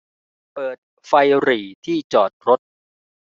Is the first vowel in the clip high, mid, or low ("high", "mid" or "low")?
mid